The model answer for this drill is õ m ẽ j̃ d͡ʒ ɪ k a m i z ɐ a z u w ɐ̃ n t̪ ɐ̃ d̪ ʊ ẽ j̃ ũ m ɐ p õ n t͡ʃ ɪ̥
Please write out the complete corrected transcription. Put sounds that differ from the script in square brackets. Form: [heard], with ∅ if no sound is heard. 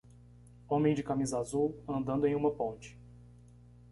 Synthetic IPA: õ m ẽ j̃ d͡ʒ ɪ k a m i z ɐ a z u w ɐ̃ n [d̪] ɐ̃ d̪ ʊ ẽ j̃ ũ m ɐ p õ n t͡ʃ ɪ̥